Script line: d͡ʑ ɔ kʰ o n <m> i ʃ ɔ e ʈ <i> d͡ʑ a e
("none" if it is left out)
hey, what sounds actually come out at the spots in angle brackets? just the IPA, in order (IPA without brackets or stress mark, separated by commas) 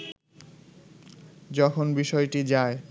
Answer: b, i